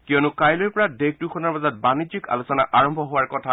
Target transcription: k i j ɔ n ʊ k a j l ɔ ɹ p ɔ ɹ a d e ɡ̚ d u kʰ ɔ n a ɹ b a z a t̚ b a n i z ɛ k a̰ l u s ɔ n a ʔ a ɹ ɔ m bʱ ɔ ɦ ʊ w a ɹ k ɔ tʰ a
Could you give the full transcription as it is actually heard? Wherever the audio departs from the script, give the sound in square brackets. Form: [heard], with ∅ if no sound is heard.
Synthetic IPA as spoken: k i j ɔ n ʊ k a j l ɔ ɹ p ɔ ɹ a d e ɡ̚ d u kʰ ɔ n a ɹ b a z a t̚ b a n i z [i] k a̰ l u s ɔ n a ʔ a ɹ ɔ m bʱ ɔ ɦ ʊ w a ɹ k ɔ tʰ a